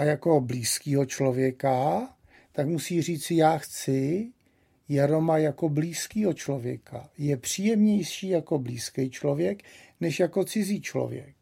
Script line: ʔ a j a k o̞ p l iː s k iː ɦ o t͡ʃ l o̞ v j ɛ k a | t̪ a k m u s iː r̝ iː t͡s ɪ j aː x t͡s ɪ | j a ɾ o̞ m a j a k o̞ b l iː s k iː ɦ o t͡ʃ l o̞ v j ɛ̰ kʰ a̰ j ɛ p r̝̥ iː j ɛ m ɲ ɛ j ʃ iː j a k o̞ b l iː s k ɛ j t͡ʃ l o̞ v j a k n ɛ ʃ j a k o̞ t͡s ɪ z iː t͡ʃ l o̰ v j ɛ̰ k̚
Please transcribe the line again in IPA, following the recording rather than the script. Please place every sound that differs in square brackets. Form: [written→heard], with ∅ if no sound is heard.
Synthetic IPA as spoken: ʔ a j a k o̞ [p→b] l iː s k iː ɦ o t͡ʃ l o̞ v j ɛ k a | t̪ a k m u s iː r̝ iː t͡s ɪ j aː x t͡s ɪ | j a ɾ o̞ m a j a k o̞ b l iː s k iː ɦ o t͡ʃ l o̞ v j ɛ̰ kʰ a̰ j ɛ p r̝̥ iː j ɛ m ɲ ɛ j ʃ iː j a k o̞ b l iː s k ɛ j t͡ʃ l o̞ v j [a→ɛ] k n ɛ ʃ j a k o̞ t͡s ɪ z iː t͡ʃ l o̰ v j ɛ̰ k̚